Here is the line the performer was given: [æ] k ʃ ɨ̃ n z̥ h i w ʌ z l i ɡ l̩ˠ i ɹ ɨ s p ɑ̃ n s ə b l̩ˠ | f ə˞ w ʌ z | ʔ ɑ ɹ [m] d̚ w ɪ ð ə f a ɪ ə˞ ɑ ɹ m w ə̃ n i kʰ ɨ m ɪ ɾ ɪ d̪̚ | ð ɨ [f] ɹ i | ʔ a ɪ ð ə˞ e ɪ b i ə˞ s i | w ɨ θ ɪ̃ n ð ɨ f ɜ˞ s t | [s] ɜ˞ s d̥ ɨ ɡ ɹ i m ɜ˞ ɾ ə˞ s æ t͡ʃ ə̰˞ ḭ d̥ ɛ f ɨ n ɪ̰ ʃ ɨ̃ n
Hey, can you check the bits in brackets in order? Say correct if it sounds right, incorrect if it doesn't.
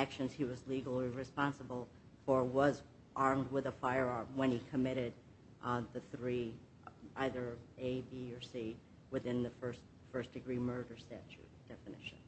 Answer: correct, correct, incorrect: θ, incorrect: f

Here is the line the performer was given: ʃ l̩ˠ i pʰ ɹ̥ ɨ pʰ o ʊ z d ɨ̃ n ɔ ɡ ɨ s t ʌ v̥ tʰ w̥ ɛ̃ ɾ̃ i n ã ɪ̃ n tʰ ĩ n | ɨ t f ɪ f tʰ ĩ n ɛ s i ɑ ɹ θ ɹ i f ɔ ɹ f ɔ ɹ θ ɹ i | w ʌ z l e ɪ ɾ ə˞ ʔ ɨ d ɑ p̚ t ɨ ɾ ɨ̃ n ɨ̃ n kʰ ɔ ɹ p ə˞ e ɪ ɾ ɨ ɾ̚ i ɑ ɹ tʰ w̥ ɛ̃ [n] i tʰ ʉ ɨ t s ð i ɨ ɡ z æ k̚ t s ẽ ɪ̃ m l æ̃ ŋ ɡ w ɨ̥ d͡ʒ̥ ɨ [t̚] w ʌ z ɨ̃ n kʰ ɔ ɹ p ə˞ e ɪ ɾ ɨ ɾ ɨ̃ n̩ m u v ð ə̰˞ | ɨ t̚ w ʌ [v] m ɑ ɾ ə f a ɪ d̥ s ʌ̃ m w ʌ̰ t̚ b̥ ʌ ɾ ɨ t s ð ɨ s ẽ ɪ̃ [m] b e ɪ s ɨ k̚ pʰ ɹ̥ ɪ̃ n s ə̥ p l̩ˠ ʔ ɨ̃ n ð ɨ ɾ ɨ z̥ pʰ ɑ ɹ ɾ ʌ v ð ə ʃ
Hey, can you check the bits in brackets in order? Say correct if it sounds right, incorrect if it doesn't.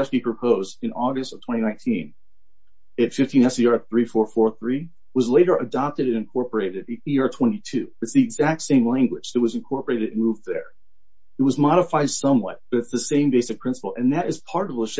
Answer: correct, correct, incorrect: z, correct

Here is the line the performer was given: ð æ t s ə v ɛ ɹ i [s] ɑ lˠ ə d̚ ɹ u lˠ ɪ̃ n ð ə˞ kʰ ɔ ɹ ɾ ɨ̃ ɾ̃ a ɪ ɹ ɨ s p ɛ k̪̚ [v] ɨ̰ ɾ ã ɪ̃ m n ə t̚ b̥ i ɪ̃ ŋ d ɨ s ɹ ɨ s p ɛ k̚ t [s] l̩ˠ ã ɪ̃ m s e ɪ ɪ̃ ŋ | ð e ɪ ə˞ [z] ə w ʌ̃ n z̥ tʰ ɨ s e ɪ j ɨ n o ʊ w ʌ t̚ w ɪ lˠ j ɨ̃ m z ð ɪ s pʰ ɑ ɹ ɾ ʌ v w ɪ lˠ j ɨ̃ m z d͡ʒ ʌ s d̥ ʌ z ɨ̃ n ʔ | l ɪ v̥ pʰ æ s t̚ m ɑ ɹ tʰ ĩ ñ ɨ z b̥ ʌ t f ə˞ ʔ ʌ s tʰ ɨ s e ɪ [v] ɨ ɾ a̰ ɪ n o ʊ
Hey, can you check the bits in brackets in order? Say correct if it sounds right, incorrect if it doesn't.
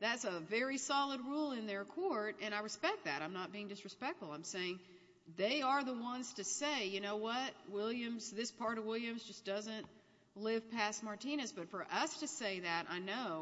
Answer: correct, incorrect: ð, incorrect: f, incorrect: ð, incorrect: ð

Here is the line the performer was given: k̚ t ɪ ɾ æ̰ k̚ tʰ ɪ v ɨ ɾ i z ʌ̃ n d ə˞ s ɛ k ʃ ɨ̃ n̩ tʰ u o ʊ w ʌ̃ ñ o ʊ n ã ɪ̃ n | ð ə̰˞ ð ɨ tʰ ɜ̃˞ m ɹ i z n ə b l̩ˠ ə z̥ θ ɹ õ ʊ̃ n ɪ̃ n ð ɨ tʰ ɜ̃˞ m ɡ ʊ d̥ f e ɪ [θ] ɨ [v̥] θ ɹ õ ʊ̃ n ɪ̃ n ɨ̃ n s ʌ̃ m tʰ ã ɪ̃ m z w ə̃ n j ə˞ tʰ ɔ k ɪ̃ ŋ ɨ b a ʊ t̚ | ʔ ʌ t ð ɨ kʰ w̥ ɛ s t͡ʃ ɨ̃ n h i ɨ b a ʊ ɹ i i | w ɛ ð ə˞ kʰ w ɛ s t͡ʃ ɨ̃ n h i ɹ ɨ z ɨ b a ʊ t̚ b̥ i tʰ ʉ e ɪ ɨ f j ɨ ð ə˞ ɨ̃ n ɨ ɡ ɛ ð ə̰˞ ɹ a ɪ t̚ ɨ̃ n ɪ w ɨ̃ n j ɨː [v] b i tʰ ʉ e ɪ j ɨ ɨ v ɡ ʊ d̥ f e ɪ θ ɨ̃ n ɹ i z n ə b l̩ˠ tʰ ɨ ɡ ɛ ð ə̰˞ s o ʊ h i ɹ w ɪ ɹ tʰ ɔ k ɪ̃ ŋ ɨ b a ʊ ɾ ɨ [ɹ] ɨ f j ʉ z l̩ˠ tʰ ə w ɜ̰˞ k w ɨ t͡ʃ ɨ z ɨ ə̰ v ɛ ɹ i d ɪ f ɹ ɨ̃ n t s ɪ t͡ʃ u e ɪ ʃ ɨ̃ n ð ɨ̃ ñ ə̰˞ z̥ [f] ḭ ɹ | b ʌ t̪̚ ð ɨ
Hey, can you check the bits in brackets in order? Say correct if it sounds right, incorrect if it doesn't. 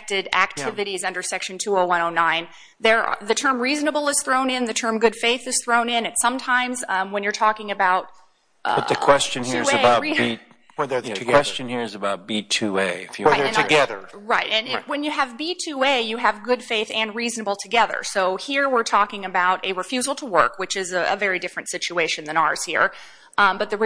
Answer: correct, incorrect: z̥, correct, correct, incorrect: h

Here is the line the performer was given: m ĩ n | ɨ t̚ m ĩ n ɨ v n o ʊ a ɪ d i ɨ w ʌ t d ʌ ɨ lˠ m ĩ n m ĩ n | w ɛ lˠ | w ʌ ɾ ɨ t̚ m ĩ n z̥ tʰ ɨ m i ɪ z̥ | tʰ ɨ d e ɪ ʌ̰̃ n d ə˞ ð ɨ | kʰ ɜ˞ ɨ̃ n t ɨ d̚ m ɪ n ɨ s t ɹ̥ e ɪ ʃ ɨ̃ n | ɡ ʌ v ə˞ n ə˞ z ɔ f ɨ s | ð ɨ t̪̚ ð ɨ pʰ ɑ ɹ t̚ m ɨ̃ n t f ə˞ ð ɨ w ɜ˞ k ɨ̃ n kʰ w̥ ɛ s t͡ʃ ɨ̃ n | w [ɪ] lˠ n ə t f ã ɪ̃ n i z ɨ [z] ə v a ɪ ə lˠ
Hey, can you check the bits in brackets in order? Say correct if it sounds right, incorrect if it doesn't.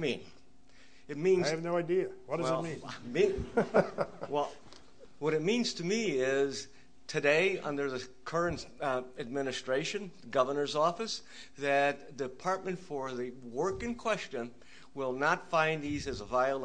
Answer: correct, correct

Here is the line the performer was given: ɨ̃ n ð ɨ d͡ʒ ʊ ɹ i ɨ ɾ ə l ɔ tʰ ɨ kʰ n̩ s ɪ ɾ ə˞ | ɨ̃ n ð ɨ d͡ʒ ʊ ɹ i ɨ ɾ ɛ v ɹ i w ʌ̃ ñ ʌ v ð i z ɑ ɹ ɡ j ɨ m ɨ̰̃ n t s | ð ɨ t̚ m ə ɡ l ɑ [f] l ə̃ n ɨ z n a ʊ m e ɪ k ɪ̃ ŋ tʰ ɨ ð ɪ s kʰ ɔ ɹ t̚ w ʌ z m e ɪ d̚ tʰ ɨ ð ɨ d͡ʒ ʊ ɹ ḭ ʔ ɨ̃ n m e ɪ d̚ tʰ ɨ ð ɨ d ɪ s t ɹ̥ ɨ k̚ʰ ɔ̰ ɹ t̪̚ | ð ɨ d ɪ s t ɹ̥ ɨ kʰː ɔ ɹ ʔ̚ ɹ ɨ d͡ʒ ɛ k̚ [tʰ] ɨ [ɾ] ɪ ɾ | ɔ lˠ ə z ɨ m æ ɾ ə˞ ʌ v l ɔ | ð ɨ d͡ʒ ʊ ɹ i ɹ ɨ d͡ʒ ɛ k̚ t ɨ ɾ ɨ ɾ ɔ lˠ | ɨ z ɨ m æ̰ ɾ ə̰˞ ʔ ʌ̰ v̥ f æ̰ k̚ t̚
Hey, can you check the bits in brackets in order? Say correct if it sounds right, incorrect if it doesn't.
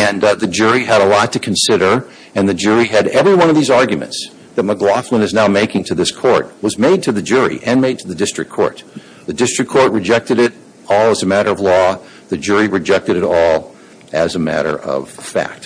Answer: correct, incorrect: t, correct

